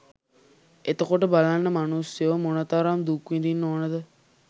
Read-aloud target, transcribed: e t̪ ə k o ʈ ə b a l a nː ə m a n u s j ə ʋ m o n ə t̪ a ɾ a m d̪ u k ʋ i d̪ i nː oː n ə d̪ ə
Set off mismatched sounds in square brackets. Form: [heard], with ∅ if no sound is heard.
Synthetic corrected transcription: e t̪ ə k o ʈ ə b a l a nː ə m a n u s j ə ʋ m o n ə t̪ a ɾ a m d̪ u k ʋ i d̪ i nː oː n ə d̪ ə